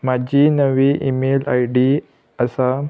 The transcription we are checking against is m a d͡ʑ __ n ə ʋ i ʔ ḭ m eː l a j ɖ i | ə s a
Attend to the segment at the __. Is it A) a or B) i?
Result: B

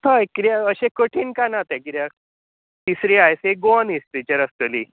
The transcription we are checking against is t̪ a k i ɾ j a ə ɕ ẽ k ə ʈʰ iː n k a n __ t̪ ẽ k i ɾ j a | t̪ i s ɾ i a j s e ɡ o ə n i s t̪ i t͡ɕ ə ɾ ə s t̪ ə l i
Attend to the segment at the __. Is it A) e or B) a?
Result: B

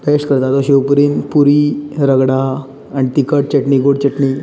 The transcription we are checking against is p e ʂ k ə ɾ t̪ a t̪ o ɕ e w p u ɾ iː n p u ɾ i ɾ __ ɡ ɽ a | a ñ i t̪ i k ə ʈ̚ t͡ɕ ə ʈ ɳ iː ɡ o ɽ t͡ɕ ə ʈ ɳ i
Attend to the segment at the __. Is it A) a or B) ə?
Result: B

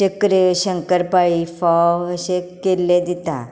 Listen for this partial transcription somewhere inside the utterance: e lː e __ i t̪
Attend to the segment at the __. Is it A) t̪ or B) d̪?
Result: B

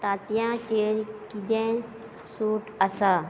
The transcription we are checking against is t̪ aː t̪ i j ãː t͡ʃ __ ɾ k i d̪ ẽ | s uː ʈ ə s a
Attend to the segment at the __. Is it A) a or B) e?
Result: B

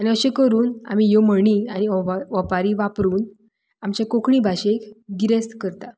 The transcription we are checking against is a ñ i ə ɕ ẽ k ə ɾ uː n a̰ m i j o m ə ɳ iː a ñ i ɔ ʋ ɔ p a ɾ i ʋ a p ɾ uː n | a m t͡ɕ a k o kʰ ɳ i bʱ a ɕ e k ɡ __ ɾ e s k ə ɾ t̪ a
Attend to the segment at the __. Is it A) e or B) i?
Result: B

